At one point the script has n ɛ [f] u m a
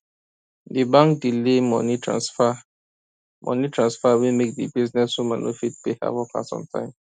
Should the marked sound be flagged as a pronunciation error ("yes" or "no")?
yes